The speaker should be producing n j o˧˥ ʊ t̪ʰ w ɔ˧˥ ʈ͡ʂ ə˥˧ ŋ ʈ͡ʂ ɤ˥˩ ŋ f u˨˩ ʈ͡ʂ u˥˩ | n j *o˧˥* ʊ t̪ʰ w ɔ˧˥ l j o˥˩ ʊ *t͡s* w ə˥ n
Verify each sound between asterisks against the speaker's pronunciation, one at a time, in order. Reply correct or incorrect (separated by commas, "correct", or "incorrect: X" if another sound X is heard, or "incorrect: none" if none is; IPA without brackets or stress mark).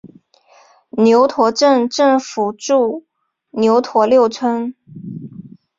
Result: correct, incorrect: t͡sʰ